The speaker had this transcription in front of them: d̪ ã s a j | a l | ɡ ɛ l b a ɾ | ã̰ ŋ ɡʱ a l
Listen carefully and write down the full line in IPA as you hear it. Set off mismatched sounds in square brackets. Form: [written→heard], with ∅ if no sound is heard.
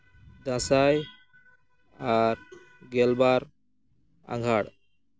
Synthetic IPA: d̪ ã s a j | a [l→ɾ] | ɡ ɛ l b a ɾ | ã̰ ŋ ɡʱ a [l→ɽ]